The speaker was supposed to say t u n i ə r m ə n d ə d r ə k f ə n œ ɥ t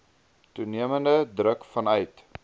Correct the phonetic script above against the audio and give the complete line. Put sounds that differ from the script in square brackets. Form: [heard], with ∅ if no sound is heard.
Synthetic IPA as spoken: t u n i ə [∅] m ə n d ə d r ə k f [ɐ] n œ ɥ t